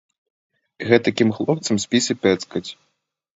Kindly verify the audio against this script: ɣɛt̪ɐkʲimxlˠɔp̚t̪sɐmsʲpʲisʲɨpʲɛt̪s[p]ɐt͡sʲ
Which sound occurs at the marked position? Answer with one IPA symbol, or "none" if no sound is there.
k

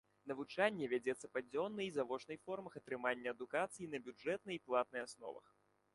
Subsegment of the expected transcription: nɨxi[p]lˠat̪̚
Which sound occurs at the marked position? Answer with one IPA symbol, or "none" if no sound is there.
p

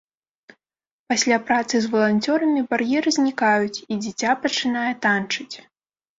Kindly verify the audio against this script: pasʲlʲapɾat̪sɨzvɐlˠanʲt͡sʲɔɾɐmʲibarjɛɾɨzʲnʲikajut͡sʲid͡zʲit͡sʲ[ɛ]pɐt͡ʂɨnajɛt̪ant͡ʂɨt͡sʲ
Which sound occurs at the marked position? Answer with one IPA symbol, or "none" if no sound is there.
a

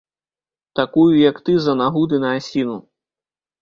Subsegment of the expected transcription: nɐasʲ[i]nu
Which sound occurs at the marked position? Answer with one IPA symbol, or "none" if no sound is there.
i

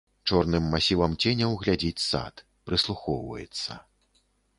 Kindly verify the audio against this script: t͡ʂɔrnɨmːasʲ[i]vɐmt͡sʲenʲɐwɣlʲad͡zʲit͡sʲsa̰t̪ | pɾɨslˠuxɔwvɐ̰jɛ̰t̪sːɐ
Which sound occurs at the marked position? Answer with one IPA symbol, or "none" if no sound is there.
i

